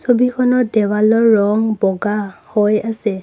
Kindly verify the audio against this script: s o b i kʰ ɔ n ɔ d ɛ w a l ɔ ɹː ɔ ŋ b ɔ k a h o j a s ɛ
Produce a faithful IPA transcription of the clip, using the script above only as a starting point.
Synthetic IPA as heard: s o b i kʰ ɔ n ɔ d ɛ w a l ɔ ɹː ɔ ŋ b ɔ ɡ a h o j a s ɛ

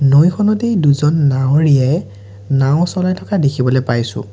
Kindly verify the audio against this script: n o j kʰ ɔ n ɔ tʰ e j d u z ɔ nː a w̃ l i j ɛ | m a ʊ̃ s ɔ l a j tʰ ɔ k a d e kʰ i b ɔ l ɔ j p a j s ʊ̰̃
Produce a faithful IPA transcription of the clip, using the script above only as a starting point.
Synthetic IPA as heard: n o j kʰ ɔ n ɔ t e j d u z ɔ nː a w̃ ɹ i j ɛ | n a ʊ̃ s ɔ l a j tʰ ɔ k a d e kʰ i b ɔ l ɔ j p a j s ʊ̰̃

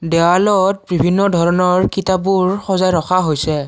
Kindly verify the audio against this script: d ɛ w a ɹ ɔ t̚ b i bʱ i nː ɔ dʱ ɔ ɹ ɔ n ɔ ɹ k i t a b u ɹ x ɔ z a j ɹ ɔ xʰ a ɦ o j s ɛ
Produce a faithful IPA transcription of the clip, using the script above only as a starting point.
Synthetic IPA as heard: d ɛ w a l ɔ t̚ b i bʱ i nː ɔ dʱ ɔ ɹ ɔ n ɔ ɹ k i t a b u ɹ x ɔ z a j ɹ ɔ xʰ a ɦ o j s ɛ

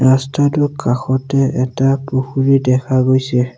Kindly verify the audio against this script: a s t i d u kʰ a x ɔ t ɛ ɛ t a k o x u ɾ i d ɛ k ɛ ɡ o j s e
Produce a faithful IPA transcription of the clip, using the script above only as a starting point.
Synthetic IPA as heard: a s t a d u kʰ a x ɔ t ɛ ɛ t a p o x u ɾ i d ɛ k a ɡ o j s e

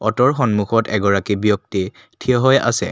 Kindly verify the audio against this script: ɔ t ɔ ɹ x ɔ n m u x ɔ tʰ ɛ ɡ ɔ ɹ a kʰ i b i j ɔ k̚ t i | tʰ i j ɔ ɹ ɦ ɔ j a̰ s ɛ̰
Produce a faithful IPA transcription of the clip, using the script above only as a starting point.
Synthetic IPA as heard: ɔ t ɔ ɹ x ɔ n m u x ɔ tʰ ɛ ɡ ɔ ɹ a k i b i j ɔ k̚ t i | tʰ i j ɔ ɦ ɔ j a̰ s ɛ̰

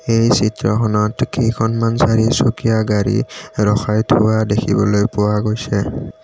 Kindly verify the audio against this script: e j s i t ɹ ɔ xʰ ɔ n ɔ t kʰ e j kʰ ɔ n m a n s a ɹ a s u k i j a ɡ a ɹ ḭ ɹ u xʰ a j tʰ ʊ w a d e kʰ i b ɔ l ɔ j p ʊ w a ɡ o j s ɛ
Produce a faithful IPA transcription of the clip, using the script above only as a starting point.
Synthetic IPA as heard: e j s i t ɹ ɔ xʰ ɔ n ɔ t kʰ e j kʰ ɔ n m a n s a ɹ i s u k i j a ɡ a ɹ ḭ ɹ ɔ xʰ a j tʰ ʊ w a d e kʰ i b ɔ l o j p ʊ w a ɡ o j s ɛ

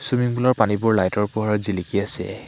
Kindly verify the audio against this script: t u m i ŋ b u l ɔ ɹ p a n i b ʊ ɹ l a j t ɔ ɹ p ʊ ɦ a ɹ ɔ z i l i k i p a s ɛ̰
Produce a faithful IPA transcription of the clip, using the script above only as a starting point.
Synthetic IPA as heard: s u m i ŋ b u l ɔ ɹ p a n i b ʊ ɹ l a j t ɔ ɹ p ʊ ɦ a ɹ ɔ z i l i k i a s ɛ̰

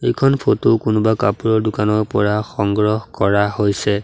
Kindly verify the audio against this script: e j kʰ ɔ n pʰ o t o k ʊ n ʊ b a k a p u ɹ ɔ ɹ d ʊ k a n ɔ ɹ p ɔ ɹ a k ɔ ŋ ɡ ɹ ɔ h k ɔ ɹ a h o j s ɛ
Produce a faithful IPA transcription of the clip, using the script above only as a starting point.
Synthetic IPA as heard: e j kʰ ɔ n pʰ o t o k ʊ n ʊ b a k a p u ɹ ɔ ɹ d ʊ k a n ɔ ɹ p ɔ ɹ a x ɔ ŋ ɡ ɹ ɔ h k ɔ ɹ a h o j s ɛ

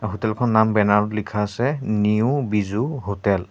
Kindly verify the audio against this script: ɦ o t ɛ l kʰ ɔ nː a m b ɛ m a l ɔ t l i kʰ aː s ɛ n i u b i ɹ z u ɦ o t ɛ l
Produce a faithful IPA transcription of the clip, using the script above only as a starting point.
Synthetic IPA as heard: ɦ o t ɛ l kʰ ɔ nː a m b ɛ n a ɹ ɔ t l i kʰ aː s ɛ n i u b i z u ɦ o t ɛ l

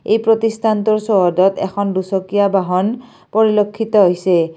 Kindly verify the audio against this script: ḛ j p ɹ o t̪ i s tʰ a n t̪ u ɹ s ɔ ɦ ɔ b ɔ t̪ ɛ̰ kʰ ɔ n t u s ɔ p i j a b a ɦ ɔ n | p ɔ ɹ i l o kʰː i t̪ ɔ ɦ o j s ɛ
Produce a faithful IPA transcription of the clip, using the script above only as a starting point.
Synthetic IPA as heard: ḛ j p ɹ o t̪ i s tʰ a n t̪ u ɹ s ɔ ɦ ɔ d ɔ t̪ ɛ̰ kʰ ɔ n d u s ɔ k i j a b a ɦ ɔ n | p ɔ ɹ i l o kʰː i t̪ ɔ ɦ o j s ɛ

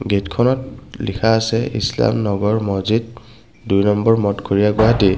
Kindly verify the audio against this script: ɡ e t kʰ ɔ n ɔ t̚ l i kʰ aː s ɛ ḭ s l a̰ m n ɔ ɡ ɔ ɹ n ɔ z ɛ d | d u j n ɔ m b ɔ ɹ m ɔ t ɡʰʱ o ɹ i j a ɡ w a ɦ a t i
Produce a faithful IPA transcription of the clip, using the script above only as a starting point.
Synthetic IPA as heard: ɡ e t kʰ ɔ n ɔ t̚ l i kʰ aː s ɛ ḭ s l a̰ m n ɔ ɡ ɔ ɹ m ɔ z i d | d u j n ɔ m b ɔ ɹ m ɔ t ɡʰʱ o ɹ i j a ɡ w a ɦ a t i

